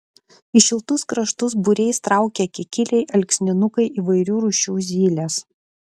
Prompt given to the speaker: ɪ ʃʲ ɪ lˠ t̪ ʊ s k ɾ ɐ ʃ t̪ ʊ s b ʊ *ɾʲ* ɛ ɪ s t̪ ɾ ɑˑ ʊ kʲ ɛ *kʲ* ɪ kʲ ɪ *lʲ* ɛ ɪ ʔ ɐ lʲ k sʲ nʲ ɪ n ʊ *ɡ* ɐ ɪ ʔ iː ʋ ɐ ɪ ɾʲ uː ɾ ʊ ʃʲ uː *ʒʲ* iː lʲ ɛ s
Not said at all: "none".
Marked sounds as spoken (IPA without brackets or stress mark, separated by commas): ɾʲ, kʲ, lʲ, k, zʲ